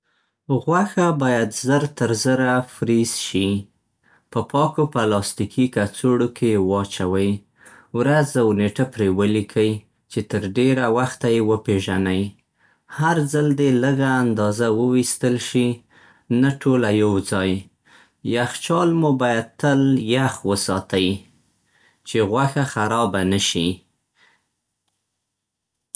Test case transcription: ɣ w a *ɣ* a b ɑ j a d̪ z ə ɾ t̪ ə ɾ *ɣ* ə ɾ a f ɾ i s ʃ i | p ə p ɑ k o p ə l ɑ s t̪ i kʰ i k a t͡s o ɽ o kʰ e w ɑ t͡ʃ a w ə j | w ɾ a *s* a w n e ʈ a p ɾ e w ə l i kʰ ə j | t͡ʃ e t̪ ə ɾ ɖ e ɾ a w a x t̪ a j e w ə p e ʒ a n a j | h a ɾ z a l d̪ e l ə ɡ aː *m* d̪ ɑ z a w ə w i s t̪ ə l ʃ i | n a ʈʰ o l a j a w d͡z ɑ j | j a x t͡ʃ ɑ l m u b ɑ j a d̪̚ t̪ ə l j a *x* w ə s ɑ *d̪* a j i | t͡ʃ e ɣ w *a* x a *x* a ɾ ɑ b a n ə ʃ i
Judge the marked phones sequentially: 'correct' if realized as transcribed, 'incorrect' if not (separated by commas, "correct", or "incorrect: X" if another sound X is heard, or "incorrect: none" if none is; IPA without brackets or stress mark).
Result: incorrect: x, incorrect: z, incorrect: z, incorrect: n, correct, incorrect: t̪, correct, correct